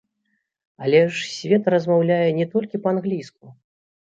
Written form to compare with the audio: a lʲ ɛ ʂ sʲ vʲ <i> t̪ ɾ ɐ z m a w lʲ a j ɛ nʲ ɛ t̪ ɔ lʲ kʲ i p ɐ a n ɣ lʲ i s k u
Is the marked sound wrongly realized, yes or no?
yes